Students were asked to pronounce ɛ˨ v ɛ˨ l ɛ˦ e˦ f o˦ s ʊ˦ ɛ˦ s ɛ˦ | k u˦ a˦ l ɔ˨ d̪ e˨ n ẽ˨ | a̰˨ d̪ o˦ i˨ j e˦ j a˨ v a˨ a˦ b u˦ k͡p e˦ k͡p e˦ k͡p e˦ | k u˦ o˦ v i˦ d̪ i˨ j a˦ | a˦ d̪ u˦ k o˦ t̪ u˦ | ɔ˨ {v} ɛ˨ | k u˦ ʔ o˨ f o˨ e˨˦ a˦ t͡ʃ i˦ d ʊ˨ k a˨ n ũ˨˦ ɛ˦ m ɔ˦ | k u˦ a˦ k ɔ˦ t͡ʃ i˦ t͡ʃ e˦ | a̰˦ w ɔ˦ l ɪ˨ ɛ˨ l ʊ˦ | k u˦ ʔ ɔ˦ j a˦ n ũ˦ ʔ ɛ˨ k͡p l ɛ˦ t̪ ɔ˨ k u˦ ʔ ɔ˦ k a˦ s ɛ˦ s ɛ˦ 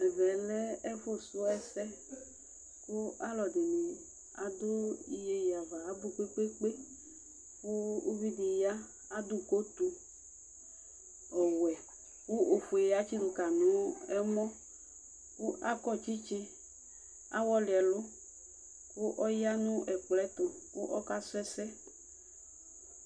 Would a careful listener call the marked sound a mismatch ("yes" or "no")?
yes